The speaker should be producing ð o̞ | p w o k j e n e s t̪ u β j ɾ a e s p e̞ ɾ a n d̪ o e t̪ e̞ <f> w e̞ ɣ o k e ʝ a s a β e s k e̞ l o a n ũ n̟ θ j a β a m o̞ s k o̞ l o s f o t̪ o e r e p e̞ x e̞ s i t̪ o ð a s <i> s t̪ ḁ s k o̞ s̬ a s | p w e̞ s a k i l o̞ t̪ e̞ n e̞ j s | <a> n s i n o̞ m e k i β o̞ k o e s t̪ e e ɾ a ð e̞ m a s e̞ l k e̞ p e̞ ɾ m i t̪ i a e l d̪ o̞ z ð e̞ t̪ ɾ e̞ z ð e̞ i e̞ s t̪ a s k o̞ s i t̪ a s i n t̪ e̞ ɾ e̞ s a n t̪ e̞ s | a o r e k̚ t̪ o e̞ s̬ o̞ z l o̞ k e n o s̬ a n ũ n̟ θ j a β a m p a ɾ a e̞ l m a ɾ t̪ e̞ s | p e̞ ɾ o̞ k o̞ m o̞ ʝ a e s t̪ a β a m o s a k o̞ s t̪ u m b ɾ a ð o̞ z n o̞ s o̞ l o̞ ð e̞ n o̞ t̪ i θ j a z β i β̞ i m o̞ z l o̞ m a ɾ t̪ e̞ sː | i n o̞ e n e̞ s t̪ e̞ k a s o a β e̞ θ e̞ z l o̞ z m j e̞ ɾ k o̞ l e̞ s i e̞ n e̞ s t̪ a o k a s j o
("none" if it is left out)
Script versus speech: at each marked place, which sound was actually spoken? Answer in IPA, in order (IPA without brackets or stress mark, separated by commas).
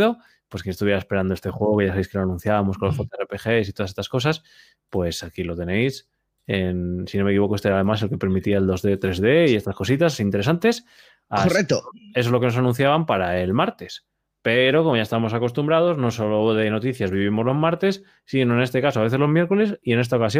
x, e, e